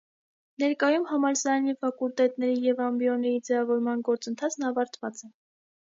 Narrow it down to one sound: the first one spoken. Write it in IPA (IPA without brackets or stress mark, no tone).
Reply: n